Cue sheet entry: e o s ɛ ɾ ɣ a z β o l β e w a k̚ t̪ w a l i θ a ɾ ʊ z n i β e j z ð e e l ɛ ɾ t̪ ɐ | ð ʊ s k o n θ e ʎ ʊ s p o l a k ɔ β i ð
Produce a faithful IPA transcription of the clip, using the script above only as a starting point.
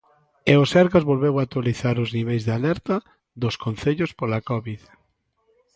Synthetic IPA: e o s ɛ ɾ ɣ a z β o l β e w a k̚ t̪ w a l i θ a ɾ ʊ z n i β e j z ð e a l ɛ ɾ t̪ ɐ | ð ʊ s k o n θ e ʎ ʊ s p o l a k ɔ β i ð